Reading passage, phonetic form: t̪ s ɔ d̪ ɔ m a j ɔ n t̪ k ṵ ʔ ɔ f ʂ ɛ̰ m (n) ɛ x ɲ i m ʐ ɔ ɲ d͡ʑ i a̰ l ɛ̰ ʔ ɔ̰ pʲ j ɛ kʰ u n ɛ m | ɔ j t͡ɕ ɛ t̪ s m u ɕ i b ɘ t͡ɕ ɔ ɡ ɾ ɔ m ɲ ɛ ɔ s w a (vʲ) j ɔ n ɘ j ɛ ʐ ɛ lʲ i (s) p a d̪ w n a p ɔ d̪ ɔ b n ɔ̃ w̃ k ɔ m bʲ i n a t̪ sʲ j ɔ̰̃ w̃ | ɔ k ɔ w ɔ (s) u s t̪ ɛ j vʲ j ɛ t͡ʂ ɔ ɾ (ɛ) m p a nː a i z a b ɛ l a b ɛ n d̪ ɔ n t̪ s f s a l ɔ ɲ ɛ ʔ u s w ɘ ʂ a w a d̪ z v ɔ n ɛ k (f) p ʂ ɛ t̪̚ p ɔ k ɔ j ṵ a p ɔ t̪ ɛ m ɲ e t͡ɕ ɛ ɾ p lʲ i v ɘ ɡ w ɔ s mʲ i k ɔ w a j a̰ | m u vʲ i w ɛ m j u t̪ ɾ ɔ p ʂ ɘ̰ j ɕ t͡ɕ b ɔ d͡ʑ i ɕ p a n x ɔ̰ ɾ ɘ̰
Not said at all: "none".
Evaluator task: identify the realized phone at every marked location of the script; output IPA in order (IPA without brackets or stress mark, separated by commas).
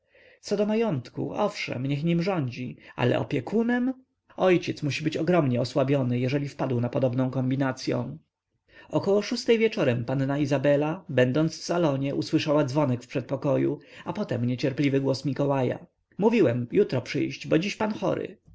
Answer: ɲ, bʲ, f, ʂ, ɛ, f